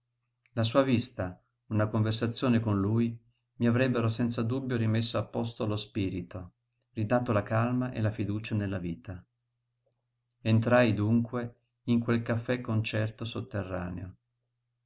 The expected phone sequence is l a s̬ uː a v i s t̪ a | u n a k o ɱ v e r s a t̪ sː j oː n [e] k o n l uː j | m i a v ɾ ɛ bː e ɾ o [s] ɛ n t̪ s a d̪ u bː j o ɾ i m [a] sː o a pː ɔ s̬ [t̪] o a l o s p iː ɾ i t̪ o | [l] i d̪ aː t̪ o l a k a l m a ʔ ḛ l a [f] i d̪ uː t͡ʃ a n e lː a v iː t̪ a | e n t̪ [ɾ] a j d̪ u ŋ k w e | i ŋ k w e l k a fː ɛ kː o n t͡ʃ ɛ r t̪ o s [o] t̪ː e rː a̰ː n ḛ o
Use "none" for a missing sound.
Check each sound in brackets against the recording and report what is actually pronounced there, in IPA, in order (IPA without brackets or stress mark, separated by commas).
e, s, e, t̪, r, f, ɾ, o